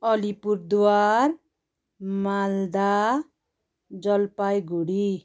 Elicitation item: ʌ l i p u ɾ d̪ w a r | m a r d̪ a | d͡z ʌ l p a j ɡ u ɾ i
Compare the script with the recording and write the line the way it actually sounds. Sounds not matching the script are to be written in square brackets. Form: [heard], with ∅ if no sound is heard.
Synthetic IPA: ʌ l i p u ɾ d̪ w a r | m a [l] d̪ a | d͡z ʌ l p a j ɡ u [ɽ] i